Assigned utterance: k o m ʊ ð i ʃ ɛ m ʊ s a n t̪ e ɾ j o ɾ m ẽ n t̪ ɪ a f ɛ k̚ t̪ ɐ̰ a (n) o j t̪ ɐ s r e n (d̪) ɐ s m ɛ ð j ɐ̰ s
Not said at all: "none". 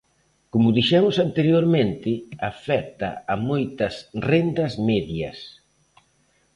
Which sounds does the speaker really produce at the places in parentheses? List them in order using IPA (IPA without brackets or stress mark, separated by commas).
m, d̪